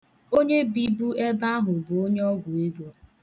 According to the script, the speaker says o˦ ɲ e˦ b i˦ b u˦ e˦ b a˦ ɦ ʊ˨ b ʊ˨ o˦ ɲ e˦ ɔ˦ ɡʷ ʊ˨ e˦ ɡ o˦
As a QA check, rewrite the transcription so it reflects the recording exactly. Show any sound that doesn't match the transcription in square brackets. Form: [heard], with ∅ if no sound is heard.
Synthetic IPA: o˦ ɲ e˦ b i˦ b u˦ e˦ b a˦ ɦ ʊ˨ b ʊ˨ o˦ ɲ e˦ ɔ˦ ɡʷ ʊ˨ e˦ ɡ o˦